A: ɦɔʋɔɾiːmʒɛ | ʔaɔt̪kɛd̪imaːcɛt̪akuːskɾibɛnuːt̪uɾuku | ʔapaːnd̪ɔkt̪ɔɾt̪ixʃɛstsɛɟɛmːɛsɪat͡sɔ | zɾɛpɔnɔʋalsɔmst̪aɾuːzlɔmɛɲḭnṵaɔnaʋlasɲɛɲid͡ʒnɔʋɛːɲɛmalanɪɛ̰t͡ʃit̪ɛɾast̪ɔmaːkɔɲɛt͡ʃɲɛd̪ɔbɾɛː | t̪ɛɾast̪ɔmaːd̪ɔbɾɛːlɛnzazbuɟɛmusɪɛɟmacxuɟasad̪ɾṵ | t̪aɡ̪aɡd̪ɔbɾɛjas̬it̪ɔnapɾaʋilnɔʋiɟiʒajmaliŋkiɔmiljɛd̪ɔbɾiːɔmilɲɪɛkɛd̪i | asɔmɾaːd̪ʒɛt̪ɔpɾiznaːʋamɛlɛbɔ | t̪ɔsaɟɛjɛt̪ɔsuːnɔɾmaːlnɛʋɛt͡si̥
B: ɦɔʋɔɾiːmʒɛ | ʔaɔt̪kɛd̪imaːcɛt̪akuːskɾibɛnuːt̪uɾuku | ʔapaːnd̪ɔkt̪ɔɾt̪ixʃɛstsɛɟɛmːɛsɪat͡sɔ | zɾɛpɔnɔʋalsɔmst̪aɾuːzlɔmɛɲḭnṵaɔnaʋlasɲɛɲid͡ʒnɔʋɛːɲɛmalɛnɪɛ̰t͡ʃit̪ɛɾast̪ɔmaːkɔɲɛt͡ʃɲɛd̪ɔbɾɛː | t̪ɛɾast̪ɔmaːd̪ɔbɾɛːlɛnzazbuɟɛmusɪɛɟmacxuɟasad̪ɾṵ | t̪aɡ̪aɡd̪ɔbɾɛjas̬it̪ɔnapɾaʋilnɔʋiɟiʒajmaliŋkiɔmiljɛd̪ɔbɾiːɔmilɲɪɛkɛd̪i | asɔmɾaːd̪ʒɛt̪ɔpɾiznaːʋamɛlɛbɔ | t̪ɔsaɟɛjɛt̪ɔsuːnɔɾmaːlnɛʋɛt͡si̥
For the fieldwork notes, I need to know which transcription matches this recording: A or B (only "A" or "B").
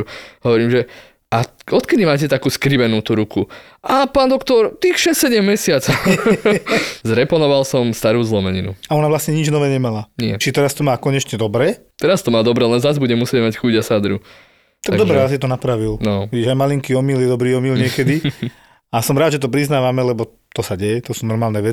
A